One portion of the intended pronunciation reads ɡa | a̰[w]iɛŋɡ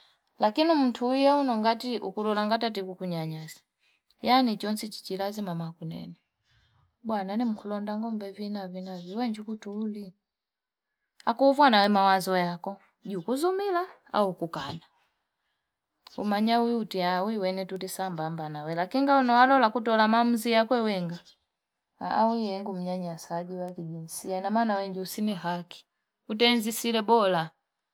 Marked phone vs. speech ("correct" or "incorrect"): correct